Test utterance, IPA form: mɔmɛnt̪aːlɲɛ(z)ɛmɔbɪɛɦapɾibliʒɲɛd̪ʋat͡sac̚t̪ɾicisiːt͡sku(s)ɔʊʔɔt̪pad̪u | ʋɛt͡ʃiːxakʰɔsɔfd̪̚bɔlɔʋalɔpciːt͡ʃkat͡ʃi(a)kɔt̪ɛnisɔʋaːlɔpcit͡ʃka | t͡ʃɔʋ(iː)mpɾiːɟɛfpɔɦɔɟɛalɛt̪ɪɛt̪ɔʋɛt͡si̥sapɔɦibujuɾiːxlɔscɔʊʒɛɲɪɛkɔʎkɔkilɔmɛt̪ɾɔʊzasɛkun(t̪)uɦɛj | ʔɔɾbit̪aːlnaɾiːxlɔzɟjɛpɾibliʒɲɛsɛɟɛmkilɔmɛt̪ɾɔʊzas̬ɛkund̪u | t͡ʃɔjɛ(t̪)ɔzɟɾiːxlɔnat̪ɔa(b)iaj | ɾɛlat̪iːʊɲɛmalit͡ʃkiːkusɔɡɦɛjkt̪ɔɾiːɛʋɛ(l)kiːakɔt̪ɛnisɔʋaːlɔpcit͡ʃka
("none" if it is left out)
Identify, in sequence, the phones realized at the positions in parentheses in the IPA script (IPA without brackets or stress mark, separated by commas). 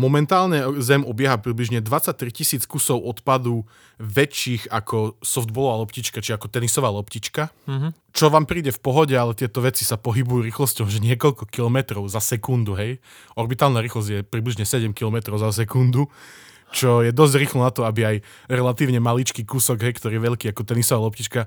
z, s, a, aː, d̪, d̪, b, ʎ